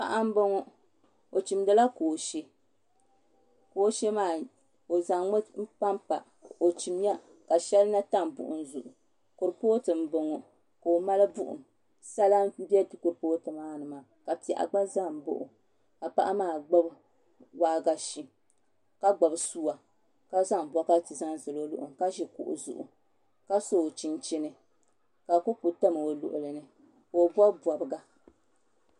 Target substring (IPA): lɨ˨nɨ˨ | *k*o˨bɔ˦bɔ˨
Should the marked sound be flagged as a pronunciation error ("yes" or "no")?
no